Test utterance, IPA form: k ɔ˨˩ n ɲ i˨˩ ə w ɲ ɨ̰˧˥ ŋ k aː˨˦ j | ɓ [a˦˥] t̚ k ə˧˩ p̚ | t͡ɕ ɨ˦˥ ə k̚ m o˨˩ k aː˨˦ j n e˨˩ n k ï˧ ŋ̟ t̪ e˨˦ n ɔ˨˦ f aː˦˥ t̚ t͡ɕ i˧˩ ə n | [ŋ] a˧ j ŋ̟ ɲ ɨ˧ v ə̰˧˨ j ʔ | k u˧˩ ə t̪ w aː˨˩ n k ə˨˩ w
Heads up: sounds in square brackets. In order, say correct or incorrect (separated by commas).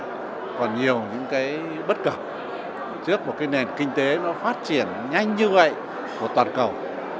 incorrect, incorrect